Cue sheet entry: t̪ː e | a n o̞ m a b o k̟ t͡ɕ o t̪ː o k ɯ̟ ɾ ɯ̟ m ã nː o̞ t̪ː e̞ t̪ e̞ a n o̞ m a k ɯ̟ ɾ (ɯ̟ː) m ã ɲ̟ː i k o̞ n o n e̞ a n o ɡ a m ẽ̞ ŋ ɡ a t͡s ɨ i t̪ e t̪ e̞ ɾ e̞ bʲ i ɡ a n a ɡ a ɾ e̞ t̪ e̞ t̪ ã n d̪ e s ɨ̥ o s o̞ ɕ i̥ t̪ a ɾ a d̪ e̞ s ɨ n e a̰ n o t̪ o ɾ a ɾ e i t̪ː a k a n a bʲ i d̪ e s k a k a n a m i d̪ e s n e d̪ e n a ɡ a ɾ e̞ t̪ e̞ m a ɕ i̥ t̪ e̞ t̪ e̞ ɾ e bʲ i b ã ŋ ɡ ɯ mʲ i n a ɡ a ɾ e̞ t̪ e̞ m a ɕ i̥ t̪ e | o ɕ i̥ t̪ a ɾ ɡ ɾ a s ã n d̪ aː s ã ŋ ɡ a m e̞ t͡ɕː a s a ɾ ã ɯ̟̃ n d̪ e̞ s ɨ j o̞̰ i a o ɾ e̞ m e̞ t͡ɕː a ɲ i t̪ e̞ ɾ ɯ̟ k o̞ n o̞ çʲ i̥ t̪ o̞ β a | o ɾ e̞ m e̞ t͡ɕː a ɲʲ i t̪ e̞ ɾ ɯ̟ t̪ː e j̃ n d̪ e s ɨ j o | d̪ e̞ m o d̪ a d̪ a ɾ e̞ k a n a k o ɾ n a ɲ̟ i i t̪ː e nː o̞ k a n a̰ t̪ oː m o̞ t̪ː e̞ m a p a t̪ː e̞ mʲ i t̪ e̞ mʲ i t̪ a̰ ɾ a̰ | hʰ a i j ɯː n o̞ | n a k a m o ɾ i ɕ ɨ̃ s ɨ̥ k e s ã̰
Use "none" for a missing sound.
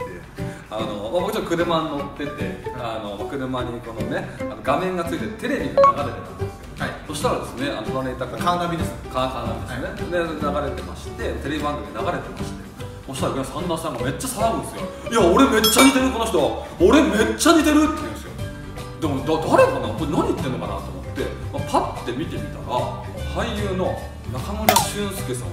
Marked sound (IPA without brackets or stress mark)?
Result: ɯ̟